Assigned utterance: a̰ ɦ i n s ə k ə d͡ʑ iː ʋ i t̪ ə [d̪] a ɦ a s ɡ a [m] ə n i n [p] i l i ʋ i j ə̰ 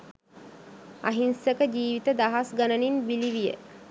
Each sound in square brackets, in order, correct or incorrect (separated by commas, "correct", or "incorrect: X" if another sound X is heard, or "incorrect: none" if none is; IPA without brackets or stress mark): correct, incorrect: n, incorrect: b